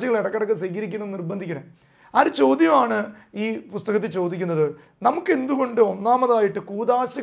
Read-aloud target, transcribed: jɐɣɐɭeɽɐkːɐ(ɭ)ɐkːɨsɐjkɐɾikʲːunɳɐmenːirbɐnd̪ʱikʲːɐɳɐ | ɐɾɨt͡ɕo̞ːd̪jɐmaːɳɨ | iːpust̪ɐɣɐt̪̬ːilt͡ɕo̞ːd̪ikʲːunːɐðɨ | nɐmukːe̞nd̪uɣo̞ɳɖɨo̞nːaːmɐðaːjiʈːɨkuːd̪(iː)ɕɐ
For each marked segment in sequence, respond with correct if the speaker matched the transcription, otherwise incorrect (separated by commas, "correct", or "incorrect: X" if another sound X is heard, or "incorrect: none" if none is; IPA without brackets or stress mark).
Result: incorrect: ɽ, incorrect: aː